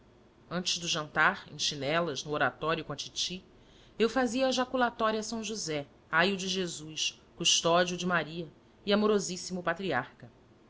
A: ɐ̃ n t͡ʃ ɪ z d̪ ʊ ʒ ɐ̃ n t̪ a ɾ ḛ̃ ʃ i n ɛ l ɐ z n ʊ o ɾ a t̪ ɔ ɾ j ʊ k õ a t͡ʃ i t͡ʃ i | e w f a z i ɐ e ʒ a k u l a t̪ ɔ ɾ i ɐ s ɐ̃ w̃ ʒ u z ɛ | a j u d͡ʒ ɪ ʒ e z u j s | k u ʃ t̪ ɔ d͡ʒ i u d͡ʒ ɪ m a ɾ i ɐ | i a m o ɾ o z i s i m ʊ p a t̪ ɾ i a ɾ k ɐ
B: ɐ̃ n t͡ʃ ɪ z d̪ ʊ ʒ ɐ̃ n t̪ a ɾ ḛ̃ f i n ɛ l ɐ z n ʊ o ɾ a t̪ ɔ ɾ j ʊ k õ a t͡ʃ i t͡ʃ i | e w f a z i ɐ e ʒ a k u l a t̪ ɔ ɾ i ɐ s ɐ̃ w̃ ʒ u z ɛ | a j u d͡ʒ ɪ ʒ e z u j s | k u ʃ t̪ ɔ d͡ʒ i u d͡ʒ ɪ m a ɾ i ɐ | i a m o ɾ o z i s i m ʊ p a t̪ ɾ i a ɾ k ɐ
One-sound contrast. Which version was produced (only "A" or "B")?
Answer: A